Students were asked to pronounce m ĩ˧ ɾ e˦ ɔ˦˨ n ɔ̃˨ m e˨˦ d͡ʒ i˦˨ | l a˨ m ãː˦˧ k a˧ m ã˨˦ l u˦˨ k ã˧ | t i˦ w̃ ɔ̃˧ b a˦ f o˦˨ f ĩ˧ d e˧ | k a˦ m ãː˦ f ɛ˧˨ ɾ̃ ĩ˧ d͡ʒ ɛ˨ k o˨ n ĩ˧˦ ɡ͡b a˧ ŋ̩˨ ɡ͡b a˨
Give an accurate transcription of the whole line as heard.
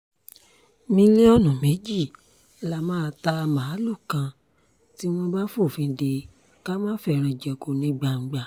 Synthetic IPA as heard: m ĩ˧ l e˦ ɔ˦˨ n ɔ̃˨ m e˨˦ d͡ʒ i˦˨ | l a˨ m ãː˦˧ t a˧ m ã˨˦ l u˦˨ k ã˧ | t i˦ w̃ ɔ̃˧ b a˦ f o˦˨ f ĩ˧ d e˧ | k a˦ m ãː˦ f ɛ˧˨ ɾ̃ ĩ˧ d͡ʒ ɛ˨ k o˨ n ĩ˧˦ ɡ͡b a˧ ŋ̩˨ ɡ͡b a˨